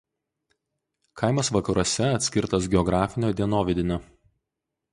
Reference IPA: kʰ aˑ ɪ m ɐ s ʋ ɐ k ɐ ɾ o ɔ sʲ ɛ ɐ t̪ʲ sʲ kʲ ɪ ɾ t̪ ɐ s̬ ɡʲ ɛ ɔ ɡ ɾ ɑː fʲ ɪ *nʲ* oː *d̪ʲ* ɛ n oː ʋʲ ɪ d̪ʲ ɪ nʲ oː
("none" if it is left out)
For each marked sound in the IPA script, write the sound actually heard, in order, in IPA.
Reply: nʲ, d̪ʲ

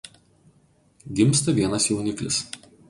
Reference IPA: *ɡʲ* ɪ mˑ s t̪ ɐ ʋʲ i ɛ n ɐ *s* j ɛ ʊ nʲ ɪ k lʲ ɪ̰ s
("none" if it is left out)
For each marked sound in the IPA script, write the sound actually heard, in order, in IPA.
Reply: ɡʲ, s

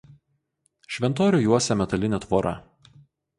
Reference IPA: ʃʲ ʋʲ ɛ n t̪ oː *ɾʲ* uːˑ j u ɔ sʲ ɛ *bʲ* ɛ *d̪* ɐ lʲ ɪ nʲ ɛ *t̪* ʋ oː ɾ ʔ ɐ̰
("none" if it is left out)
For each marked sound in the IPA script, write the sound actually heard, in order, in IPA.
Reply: ɾʲ, mʲ, t̪, t̪

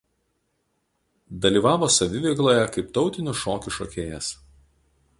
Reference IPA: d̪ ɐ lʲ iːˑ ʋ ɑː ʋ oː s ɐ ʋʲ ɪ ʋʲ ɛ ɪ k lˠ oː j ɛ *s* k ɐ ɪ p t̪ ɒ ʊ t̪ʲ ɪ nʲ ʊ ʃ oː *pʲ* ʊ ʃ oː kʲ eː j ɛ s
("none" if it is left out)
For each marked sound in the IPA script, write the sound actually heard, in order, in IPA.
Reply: none, kʲ

